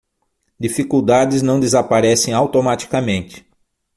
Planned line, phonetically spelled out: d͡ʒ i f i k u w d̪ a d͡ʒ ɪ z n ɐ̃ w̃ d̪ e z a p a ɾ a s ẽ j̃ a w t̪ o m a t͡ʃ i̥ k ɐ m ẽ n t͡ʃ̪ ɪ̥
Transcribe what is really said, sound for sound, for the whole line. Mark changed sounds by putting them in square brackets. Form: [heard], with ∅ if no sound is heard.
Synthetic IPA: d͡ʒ i f i k u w d̪ a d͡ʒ ɪ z n ɐ̃ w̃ d̪ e z a p a ɾ [ɛ] s ẽ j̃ a w t̪ o m a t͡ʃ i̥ k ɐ m ẽ n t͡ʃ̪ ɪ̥